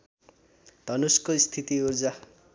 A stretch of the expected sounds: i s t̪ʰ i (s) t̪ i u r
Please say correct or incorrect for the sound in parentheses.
incorrect